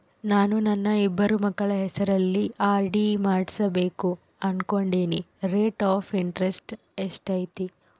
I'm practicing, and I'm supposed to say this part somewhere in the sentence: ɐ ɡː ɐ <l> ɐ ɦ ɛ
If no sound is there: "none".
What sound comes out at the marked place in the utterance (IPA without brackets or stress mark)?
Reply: ɭ